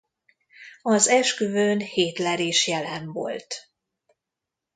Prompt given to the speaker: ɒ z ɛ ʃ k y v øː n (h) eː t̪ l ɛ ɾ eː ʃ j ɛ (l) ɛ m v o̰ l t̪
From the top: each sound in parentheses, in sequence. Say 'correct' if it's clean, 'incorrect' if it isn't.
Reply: correct, correct

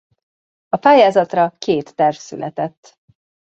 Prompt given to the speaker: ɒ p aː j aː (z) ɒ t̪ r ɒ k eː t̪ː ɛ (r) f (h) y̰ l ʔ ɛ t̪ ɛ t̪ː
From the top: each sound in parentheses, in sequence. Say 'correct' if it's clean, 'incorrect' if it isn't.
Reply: correct, correct, incorrect: s

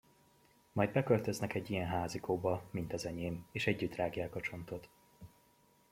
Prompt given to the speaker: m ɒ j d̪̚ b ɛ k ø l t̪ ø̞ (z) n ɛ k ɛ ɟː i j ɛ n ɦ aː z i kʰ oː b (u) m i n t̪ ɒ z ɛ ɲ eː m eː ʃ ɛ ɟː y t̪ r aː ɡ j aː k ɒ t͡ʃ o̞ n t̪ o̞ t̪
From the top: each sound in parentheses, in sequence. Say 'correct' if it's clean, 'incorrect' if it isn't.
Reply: correct, incorrect: ɒ

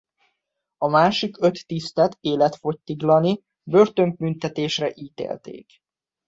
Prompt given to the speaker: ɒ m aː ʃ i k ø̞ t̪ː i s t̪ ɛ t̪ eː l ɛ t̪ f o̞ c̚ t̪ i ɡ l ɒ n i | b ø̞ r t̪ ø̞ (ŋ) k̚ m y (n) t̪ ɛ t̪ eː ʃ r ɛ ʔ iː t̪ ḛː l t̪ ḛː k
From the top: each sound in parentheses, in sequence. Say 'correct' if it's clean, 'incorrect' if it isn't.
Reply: correct, correct

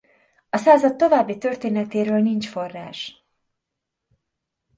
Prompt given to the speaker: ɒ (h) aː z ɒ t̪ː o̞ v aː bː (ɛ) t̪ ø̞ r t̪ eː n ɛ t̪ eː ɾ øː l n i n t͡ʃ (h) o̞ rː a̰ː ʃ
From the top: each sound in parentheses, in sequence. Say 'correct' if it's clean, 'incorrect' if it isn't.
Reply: incorrect: s, incorrect: i, incorrect: f

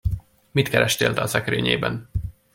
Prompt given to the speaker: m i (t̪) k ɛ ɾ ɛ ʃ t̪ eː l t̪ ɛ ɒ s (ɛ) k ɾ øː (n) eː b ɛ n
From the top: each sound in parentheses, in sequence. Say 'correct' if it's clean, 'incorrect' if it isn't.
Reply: correct, correct, incorrect: ɲ

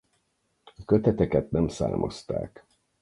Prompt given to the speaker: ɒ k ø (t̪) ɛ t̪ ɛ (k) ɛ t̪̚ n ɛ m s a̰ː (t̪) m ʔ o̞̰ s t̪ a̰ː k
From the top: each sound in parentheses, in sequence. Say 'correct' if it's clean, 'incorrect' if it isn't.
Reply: correct, correct, incorrect: none

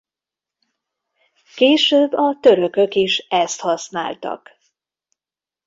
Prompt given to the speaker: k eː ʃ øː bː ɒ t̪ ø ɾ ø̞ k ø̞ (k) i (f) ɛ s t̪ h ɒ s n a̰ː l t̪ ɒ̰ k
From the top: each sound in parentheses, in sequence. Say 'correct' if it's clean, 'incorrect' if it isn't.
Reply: correct, incorrect: ʃ

